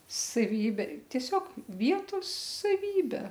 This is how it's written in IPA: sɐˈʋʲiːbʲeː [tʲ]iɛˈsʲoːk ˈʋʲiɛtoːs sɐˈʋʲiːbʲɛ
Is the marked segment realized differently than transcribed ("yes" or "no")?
no